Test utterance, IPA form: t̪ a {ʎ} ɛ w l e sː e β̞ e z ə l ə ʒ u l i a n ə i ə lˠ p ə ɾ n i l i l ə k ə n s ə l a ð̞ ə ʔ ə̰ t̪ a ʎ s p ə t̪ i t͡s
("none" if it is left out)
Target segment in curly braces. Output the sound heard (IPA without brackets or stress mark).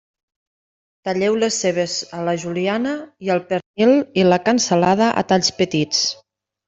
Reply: ʎ